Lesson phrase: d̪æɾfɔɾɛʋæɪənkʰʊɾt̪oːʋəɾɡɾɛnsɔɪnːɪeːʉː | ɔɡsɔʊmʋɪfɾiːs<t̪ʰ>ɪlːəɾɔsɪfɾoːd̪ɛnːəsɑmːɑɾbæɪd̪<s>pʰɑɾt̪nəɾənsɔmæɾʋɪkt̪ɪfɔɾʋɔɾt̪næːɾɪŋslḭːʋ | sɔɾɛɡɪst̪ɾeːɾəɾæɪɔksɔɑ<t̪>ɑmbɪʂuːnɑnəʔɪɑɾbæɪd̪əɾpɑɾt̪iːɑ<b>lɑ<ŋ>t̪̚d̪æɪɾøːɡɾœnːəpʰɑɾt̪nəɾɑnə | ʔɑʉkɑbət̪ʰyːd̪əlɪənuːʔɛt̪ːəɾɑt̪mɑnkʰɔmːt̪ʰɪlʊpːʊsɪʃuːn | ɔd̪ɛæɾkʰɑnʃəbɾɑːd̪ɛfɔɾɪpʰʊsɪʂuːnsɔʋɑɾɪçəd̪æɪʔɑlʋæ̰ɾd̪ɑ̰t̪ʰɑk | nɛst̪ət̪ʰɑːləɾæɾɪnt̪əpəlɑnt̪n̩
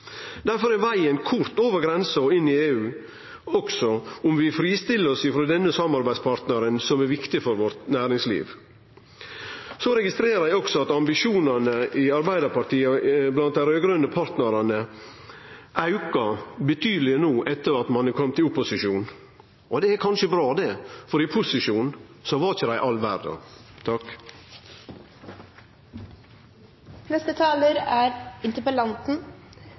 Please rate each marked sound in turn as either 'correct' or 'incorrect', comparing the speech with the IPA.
incorrect, correct, correct, correct, incorrect

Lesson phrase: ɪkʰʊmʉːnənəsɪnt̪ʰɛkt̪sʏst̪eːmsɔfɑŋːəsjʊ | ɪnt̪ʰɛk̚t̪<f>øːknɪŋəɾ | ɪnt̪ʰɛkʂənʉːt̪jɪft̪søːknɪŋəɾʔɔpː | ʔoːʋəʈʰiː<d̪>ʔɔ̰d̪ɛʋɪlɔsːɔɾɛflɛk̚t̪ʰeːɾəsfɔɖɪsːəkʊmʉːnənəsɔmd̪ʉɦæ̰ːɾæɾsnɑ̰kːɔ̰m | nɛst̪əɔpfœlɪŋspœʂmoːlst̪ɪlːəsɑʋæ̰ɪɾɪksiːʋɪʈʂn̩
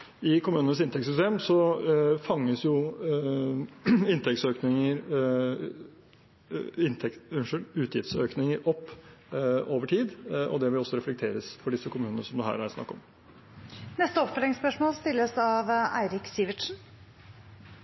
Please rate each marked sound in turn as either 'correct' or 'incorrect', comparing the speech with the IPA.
incorrect, correct

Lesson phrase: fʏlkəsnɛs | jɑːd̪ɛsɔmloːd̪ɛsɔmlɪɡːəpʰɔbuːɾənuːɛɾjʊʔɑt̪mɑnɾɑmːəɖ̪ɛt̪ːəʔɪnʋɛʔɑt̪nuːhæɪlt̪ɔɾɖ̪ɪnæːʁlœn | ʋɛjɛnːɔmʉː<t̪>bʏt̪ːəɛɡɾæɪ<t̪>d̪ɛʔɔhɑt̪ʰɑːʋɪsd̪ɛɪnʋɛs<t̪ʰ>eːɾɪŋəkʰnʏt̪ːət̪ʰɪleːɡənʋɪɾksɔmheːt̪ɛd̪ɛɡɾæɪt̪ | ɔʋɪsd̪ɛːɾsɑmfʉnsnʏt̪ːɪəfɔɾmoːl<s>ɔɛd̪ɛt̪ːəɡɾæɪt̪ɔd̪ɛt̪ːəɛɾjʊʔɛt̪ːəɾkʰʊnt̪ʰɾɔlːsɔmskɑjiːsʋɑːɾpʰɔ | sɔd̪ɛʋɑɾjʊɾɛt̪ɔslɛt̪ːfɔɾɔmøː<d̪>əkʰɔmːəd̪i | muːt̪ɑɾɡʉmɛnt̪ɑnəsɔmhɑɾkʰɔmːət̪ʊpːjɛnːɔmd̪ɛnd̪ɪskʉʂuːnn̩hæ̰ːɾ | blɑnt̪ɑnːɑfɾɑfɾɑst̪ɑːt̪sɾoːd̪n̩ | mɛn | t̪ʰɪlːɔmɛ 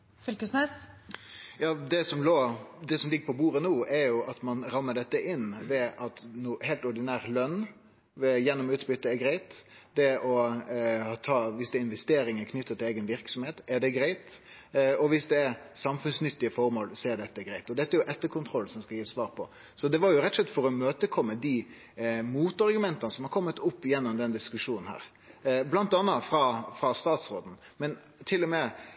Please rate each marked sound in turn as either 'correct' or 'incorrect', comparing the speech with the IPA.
correct, correct, incorrect, correct, incorrect

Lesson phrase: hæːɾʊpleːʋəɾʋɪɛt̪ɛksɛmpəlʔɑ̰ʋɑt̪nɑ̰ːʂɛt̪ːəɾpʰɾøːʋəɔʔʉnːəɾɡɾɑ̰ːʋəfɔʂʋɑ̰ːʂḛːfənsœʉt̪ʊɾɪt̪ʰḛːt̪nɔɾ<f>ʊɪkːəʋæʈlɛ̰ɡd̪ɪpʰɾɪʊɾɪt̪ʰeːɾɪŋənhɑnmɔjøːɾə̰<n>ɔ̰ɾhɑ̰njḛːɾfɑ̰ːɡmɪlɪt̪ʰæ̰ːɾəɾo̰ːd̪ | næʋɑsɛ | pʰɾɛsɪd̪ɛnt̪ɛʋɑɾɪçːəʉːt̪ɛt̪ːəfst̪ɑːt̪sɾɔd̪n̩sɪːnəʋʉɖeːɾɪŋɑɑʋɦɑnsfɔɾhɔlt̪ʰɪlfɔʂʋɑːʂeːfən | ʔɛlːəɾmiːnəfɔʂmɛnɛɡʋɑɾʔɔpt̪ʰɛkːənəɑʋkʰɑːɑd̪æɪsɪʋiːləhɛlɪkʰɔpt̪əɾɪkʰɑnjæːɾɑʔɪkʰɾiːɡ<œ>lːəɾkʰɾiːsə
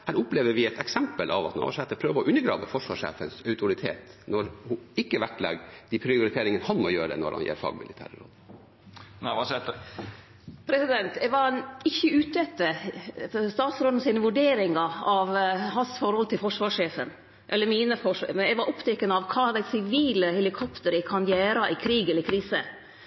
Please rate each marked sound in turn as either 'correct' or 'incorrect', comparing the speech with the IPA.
incorrect, correct, incorrect

